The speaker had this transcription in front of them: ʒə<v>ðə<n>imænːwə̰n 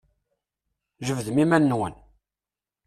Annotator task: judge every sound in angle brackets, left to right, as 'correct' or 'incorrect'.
correct, incorrect: m

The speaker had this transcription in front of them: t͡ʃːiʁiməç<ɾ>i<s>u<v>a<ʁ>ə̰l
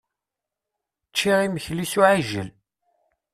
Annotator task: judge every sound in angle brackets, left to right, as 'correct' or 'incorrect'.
incorrect: l, correct, incorrect: ʕ, incorrect: ʒ

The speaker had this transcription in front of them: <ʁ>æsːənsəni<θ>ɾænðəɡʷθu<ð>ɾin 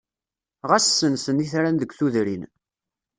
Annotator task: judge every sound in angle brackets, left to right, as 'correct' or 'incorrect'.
correct, correct, correct

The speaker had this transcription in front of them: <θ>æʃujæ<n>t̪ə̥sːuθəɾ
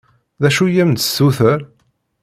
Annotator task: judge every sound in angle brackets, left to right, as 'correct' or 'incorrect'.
incorrect: ð, incorrect: m

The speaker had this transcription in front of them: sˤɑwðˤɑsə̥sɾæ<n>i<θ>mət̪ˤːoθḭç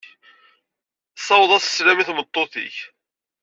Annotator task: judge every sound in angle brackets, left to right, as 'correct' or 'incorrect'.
incorrect: m, correct

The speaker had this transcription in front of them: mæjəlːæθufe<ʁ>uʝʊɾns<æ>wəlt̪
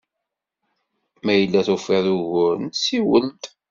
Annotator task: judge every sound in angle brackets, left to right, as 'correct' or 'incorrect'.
incorrect: ð, incorrect: i

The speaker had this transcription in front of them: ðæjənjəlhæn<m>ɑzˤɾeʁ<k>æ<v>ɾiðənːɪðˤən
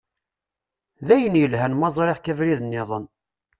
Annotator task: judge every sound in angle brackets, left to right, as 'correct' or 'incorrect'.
correct, correct, correct

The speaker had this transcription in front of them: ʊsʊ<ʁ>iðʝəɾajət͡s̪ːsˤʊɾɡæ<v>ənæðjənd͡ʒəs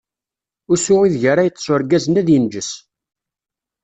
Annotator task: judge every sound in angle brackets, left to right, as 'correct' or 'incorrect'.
correct, incorrect: z

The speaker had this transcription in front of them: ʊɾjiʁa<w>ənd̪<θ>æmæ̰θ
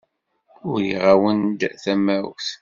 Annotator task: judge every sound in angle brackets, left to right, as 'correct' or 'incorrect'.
correct, correct

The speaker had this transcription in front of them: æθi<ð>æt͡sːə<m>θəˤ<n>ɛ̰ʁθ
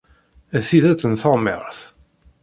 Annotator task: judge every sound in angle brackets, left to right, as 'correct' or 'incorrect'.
correct, incorrect: n, incorrect: m

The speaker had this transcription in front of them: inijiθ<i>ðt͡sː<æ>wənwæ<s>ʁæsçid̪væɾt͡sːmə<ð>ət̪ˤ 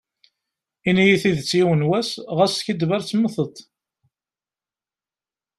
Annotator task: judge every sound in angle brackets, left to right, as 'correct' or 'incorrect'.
correct, incorrect: i, correct, incorrect: θ

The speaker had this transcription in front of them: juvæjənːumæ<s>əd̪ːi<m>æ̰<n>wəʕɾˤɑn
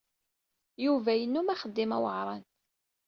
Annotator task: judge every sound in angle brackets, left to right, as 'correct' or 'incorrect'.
incorrect: χ, correct, incorrect: none

